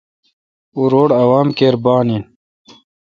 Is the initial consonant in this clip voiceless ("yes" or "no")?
no